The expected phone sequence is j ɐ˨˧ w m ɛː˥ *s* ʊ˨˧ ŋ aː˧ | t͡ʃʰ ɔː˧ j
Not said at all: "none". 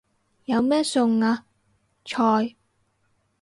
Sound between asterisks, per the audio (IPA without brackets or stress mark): s